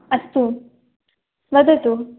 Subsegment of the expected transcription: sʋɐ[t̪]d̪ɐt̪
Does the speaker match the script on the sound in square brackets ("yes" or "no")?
no